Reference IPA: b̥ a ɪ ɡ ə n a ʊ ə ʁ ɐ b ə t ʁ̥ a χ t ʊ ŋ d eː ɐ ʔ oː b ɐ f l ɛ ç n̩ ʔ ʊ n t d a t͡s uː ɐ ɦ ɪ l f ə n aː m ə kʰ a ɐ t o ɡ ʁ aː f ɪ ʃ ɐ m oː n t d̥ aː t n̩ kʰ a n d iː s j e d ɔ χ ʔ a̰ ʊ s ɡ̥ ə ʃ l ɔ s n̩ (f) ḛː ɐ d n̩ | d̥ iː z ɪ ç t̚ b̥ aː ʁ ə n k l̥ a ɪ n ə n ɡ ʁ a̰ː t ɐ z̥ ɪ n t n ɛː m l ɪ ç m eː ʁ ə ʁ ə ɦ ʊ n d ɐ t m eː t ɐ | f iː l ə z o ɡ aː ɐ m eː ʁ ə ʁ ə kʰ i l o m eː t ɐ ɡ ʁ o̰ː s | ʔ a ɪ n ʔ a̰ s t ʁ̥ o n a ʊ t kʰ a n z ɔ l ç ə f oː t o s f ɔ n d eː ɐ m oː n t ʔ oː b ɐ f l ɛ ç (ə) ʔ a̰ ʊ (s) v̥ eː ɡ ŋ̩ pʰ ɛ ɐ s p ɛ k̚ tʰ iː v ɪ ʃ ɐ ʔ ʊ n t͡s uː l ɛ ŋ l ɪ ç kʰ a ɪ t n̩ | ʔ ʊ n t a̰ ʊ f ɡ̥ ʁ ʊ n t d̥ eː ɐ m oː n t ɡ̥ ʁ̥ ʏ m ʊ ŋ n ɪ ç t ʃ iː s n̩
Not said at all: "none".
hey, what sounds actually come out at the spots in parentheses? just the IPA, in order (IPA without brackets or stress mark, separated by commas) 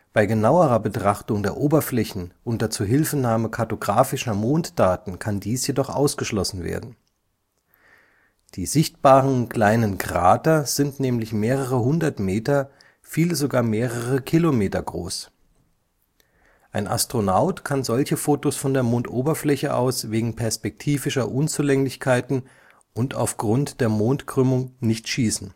v, ə, s